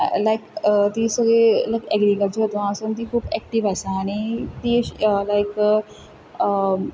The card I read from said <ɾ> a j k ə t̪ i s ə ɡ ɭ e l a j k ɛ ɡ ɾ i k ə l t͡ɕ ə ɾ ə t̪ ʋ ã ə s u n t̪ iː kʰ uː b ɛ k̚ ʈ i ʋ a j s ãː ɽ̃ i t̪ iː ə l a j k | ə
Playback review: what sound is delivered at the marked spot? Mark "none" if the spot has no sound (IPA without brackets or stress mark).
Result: l